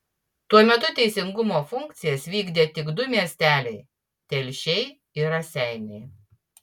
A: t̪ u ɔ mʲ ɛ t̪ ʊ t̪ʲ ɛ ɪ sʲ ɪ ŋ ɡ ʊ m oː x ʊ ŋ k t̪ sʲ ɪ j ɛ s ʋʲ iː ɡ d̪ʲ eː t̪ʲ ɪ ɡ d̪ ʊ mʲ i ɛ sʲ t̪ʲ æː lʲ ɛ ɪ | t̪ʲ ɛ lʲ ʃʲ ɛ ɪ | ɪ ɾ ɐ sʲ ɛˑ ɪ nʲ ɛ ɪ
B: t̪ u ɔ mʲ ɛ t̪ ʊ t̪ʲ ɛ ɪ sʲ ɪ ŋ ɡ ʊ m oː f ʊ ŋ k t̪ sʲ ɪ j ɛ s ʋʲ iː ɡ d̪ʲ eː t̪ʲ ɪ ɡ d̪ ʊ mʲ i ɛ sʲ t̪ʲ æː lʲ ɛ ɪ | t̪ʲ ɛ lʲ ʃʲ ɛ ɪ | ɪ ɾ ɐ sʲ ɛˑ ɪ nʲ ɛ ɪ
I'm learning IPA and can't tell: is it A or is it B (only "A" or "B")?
B